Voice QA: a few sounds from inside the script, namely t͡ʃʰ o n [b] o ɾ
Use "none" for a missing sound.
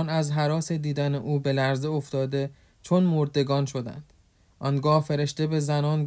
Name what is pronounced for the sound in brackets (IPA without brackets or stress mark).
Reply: m